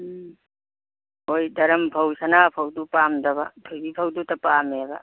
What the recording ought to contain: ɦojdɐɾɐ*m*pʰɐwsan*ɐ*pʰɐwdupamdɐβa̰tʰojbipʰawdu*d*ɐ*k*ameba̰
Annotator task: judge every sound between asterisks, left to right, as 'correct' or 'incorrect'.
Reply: correct, incorrect, incorrect, incorrect

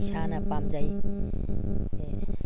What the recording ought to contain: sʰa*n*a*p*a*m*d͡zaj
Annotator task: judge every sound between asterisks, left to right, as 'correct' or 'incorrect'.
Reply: correct, correct, correct

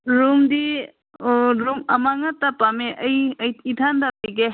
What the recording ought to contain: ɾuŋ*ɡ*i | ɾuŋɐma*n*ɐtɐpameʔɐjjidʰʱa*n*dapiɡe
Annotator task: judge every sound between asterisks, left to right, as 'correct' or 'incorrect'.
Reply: incorrect, incorrect, correct

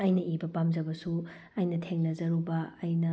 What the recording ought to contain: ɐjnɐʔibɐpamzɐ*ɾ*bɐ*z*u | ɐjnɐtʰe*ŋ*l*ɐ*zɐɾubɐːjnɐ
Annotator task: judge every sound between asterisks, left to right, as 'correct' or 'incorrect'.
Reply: incorrect, incorrect, correct, correct

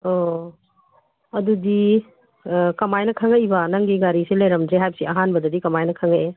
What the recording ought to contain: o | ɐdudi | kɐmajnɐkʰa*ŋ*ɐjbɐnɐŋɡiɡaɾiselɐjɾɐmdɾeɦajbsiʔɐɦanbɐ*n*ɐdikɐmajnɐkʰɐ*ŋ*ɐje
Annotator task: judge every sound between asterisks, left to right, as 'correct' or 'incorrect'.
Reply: correct, incorrect, correct

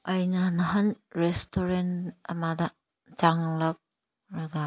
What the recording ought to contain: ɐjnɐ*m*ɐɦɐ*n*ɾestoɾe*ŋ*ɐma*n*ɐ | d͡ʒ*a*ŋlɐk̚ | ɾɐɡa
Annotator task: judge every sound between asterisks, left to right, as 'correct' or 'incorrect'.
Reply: incorrect, correct, incorrect, incorrect, correct

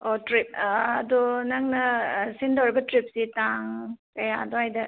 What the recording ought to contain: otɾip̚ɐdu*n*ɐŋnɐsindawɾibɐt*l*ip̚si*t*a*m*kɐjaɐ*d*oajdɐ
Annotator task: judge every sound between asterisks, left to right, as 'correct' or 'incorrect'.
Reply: correct, incorrect, correct, incorrect, correct

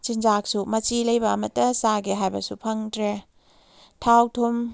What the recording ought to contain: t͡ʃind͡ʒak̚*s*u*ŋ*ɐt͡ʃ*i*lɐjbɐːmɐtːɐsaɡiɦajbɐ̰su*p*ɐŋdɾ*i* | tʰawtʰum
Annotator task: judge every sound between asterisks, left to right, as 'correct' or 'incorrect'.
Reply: correct, incorrect, correct, incorrect, incorrect

